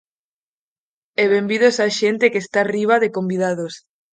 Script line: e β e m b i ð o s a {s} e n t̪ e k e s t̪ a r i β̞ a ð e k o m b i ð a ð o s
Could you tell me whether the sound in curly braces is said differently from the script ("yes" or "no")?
yes